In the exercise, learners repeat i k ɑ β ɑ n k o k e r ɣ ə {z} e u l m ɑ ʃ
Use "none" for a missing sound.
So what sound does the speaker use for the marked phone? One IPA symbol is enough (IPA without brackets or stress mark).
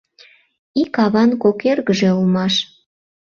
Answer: ʒ